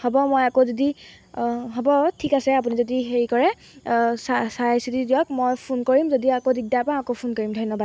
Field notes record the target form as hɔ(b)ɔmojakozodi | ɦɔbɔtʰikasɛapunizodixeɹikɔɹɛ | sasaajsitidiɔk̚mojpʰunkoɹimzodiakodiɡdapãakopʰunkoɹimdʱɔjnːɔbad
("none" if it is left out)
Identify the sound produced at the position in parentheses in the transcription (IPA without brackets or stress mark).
b